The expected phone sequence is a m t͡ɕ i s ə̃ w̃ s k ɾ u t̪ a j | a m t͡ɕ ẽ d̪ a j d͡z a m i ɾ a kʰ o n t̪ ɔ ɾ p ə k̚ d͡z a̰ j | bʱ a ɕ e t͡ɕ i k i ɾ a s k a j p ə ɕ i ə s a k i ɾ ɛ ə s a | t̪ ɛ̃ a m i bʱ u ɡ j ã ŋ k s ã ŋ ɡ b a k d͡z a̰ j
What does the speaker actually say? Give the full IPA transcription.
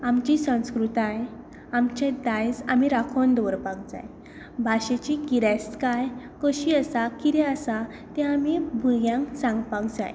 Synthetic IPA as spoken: a m t͡ɕ i s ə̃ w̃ s k ɾ u t̪ a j | a m t͡ɕ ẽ d̪ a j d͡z a m i ɾ a kʰ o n d̪ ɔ ɾ p a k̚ d͡z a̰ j | bʱ a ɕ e t͡ɕ i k i ɾ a s k a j k ə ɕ i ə s a k i ɾ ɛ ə s a | t̪ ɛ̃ a m i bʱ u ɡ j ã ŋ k s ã ŋ ɡ p a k d͡z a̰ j